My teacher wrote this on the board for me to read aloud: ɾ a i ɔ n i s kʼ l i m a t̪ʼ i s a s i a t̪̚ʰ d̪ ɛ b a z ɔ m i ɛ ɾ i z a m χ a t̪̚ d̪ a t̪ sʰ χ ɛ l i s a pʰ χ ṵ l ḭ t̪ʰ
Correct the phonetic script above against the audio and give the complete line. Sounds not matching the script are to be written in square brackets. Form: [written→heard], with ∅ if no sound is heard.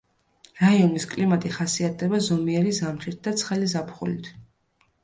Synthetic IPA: ɾ a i ɔ n i s kʼ l i m a t̪ʼ i [s→χ] a s i a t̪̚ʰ d̪ ɛ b a z ɔ m i ɛ ɾ i z a m χ [a→i] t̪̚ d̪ a t̪ sʰ χ ɛ l i [s→z] a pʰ χ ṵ l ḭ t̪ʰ